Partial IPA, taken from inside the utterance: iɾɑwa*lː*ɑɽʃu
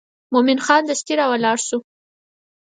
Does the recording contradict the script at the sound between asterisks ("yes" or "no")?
yes